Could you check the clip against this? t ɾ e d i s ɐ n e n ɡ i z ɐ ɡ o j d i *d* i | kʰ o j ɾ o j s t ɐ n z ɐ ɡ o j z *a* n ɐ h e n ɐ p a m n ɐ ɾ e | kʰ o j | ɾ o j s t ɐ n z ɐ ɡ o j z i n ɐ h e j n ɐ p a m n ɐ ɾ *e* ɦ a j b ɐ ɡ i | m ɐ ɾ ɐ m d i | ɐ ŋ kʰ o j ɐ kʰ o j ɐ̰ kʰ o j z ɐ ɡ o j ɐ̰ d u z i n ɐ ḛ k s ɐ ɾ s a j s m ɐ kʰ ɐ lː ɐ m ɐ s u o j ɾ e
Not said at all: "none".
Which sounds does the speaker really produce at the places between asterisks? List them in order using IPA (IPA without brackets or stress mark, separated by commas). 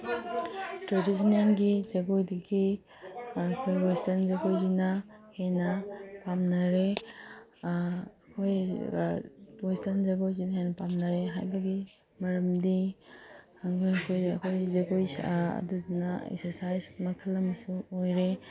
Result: ɡ, i, e